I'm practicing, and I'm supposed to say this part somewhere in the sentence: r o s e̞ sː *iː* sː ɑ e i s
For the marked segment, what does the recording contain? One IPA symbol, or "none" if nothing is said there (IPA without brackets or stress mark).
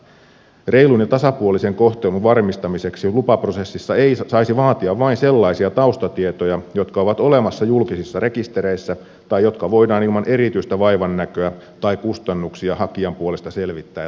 i